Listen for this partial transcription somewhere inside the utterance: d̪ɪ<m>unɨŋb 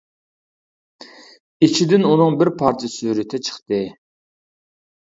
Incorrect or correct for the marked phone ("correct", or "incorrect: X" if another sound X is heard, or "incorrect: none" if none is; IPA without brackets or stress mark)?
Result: incorrect: n